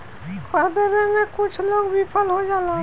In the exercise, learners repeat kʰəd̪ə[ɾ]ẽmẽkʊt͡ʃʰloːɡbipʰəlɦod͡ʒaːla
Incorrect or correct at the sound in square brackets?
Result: correct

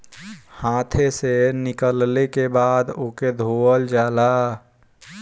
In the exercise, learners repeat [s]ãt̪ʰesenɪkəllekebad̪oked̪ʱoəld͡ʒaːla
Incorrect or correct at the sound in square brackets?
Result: incorrect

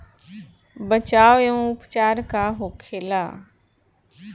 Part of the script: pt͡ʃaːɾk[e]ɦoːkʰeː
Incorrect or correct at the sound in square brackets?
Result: incorrect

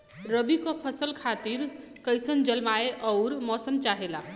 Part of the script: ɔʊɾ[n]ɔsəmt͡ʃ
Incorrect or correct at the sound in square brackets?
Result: incorrect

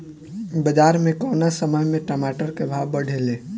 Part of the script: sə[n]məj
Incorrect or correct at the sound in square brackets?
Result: incorrect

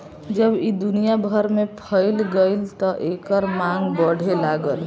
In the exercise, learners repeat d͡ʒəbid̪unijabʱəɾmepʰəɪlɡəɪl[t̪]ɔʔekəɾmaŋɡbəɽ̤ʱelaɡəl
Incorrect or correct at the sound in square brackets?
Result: correct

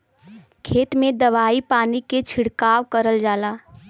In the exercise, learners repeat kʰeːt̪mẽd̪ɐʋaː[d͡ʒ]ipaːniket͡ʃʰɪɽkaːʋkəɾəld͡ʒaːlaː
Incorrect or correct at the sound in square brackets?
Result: incorrect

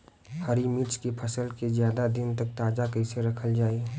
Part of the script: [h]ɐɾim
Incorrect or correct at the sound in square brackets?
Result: correct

